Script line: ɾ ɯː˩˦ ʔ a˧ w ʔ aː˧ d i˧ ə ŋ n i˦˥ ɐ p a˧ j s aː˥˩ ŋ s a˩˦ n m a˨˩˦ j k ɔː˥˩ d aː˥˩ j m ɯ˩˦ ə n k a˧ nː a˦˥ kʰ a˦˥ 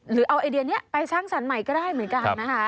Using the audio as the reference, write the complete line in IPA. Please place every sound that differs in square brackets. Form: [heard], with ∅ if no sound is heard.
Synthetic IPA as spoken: ɾ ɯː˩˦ ʔ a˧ w ʔ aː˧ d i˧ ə [∅] n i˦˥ ɐ p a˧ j s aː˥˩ ŋ s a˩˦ n m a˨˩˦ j k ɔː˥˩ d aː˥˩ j m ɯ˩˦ ə n k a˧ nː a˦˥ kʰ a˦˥

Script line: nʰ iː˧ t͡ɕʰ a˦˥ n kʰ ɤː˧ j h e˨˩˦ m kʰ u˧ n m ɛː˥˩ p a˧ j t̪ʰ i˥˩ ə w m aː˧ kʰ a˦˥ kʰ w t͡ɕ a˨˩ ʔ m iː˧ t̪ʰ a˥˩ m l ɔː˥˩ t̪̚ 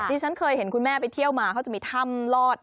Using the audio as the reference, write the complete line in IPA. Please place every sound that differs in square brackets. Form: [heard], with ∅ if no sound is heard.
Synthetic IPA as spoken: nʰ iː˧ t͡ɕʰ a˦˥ n kʰ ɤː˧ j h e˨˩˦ [n] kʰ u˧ n m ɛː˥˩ p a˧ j t̪ʰ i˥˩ ə w m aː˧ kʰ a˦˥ [∅] w t͡ɕ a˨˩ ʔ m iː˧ t̪ʰ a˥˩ m l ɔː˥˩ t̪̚

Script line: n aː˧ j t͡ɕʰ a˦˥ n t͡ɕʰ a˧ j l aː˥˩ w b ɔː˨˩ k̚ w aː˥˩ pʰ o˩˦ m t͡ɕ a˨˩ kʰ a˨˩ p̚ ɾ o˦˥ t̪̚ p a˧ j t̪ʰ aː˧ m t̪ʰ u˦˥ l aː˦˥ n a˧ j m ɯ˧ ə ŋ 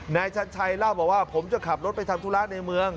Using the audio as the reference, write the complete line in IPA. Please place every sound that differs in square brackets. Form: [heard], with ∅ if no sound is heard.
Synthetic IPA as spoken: n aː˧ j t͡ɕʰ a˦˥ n t͡ɕʰ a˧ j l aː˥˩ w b ɔː˨˩ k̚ w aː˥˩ pʰ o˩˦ m t͡ɕ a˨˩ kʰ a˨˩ p̚ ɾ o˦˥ t̪̚ p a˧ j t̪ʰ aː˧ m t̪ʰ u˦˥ l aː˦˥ n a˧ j m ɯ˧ ə ŋ

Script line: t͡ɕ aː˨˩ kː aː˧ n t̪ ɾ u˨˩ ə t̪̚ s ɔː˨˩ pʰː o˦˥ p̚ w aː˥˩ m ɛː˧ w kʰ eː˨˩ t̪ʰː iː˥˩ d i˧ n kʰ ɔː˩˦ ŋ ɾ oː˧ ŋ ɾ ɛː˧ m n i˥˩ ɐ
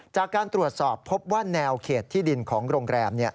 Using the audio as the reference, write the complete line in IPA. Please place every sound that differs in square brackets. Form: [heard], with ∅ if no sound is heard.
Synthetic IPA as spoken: t͡ɕ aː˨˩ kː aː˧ n t̪ ɾ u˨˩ ə t̪̚ s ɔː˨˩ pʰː o˦˥ p̚ w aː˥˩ [n] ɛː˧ w kʰ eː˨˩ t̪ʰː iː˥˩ d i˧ n kʰ ɔː˩˦ ŋ ɾ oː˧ ŋ ɾ ɛː˧ m n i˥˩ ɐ

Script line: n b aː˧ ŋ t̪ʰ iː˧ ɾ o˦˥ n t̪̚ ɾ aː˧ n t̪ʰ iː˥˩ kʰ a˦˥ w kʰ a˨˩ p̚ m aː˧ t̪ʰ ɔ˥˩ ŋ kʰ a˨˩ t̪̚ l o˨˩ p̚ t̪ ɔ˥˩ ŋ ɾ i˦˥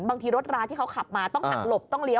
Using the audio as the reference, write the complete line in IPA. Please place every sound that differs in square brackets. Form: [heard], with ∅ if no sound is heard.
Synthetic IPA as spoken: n b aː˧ ŋ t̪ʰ iː˧ ɾ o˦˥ [∅] t̪̚ ɾ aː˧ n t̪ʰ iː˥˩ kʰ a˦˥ w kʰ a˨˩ p̚ m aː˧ [t̪] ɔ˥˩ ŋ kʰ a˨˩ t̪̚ l o˨˩ p̚ t̪ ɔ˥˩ ŋ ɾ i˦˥

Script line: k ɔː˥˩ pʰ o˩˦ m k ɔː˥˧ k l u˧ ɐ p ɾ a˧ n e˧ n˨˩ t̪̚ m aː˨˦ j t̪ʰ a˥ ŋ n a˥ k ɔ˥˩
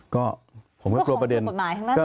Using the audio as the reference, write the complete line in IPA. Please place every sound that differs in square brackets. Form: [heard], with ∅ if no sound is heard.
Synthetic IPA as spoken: k ɔː˥˩ pʰ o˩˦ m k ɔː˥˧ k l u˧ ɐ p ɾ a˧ [d] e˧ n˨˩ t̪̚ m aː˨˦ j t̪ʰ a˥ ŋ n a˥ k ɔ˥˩

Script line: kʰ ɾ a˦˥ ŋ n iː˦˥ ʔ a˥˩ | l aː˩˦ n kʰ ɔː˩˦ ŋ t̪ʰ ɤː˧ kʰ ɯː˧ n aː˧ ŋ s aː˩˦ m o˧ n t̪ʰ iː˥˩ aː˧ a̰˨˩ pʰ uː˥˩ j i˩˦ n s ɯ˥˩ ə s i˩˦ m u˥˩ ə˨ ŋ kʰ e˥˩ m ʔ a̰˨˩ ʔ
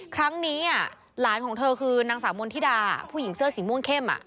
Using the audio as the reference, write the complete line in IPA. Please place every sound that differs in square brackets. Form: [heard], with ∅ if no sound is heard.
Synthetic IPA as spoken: kʰ ɾ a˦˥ ŋ n iː˦˥ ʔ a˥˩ | l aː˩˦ n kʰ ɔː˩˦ ŋ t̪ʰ ɤː˧ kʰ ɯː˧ n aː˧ ŋ s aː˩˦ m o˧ n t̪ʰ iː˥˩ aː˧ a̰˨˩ pʰ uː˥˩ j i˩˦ [ŋ] s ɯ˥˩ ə s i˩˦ m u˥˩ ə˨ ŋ kʰ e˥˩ m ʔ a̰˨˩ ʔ

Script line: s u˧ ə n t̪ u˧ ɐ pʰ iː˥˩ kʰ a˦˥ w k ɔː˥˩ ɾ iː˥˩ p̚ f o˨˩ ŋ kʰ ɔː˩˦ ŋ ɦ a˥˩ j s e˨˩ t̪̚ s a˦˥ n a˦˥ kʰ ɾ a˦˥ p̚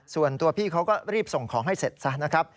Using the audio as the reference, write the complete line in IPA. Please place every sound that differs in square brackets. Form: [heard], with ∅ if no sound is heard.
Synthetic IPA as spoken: s [u˨˩] ə n t̪ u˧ ɐ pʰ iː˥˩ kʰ a˦˥ w k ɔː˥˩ ɾ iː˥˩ p̚ [s] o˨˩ ŋ kʰ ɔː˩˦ ŋ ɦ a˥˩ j s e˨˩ t̪̚ s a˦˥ n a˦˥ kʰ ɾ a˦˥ p̚

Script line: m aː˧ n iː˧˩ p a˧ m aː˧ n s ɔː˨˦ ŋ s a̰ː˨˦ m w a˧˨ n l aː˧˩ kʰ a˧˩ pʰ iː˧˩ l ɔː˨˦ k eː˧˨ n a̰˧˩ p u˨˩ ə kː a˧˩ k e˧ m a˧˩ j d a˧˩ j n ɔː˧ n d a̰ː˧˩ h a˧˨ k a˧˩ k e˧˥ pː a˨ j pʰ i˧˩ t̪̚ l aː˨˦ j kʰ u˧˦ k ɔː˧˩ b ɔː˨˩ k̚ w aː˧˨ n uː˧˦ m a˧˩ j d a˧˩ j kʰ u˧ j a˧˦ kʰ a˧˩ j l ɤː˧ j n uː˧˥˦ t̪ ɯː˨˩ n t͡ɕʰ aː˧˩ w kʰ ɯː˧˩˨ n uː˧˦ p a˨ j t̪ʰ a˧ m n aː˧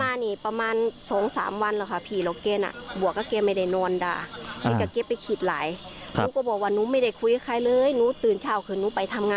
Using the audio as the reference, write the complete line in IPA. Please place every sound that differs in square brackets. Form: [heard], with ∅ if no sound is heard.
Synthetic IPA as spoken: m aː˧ n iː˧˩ p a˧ m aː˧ n s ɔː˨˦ ŋ s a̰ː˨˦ m w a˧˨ n l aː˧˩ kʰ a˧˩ pʰ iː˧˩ l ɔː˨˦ k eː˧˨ n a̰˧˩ [b] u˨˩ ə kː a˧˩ k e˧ m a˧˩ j d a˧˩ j n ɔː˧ n d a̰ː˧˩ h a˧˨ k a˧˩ k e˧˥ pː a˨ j [kʰ] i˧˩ t̪̚ l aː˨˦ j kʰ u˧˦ k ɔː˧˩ b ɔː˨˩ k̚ w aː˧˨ n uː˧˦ m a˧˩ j d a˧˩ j kʰ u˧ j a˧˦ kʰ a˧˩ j l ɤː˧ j n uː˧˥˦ t̪ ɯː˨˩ n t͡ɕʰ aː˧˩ w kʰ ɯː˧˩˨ n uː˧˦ p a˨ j t̪ʰ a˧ m [ŋ] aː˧

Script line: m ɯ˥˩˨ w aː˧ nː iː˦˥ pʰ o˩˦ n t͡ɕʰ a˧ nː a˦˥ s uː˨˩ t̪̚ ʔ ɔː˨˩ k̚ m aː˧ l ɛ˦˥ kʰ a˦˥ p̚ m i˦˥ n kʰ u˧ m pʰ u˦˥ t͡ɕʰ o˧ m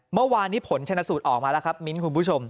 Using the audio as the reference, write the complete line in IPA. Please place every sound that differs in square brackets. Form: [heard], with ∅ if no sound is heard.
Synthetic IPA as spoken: m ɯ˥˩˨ w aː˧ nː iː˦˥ pʰ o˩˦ n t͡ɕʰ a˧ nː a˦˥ s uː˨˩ t̪̚ ʔ ɔː˨˩ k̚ m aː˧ l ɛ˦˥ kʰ a˦˥ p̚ m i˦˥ n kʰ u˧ [n] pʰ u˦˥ t͡ɕʰ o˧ m

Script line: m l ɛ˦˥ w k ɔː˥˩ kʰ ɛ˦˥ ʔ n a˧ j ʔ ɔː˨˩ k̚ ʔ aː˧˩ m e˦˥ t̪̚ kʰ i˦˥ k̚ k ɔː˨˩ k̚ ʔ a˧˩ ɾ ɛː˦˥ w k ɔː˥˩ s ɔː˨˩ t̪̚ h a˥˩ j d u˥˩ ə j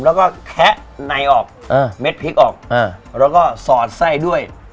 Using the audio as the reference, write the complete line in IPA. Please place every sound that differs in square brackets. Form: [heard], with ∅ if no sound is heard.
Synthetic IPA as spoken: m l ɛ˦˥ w k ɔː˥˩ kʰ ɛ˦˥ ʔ n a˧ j ʔ ɔː˨˩ k̚ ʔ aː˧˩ m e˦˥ t̪̚ [pʰ] i˦˥ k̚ [ʔ] ɔː˨˩ k̚ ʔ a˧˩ ɾ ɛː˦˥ w k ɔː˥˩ s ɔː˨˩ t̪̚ [s] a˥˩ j d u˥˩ ə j

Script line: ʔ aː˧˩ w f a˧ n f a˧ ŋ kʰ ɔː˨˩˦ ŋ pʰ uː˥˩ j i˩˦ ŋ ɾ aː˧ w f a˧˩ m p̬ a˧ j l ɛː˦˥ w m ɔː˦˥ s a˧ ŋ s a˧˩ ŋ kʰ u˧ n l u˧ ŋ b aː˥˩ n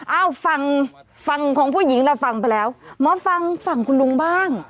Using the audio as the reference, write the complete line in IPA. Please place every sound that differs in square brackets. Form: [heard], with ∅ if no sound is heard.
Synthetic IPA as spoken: ʔ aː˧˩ w f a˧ [ŋ] f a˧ ŋ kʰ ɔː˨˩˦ ŋ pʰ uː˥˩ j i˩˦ ŋ ɾ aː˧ w f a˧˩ [ŋ] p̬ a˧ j l ɛː˦˥ w m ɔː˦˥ [f] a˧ ŋ [f] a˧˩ ŋ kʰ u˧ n l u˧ ŋ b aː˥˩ [ŋ]

